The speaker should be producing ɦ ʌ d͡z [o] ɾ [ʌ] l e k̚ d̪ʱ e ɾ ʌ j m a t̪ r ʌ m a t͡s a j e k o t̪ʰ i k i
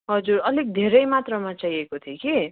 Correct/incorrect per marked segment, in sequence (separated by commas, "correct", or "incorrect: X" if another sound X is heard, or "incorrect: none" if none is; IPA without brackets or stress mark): incorrect: u, correct